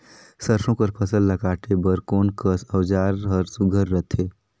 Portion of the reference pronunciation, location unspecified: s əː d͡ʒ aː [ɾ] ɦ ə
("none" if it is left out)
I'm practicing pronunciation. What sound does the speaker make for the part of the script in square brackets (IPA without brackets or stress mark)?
ɾ